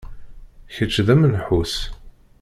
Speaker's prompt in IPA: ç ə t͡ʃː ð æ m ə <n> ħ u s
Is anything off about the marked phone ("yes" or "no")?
no